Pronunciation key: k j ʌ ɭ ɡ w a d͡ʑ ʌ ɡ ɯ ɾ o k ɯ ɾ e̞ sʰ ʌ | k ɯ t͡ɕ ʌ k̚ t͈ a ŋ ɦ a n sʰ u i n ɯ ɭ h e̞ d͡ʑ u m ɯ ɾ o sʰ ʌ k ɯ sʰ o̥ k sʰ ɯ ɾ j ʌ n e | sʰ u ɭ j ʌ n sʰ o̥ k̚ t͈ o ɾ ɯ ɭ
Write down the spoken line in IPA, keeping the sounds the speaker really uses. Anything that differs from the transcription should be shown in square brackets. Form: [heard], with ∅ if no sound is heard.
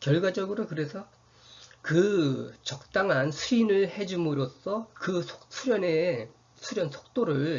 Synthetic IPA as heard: k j ʌ ɭ ɡ w a d͡ʑ ʌ ɡ ɯ ɾ o k ɯ ɾ e̞ sʰ ʌ | k ɯ t͡ɕ ʌ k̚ t͈ a ŋ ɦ a n sʰ u i n ɯ ɭ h e̞ d͡ʑ u m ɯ ɾ o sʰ ʌ k ɯ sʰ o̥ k sʰ [u] ɾ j ʌ n e | sʰ u [ɾ] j ʌ n sʰ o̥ k̚ t͈ o ɾ ɯ ɭ